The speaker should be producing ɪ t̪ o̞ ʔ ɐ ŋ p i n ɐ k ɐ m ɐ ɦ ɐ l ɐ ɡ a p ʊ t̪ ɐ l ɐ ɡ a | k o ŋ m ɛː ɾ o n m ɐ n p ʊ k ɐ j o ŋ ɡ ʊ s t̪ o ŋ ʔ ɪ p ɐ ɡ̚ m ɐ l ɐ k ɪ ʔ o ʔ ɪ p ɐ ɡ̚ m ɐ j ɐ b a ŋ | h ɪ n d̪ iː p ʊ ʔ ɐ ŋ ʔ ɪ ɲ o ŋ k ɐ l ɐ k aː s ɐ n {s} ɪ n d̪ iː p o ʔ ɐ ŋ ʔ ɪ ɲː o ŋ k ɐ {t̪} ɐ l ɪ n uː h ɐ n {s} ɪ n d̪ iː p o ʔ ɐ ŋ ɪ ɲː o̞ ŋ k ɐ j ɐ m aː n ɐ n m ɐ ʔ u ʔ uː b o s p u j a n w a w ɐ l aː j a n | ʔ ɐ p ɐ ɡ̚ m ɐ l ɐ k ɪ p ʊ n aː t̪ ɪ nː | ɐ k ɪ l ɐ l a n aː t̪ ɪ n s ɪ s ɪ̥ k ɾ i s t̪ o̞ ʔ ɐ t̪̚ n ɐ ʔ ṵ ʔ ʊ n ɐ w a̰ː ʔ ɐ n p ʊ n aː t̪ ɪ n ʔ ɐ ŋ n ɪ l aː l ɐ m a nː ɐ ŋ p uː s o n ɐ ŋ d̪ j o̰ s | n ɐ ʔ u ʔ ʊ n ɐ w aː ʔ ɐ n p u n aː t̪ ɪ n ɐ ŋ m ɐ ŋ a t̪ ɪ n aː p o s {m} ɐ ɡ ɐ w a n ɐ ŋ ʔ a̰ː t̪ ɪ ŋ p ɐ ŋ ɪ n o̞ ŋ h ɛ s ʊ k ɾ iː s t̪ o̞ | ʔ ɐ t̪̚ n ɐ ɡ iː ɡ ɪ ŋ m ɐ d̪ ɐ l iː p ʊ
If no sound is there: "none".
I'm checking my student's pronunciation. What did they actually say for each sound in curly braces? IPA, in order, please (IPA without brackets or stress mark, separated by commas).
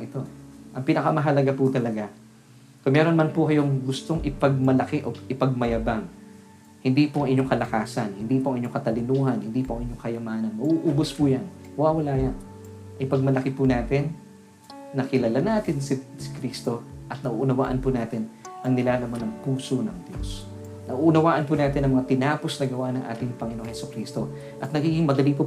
h, t̪, h, n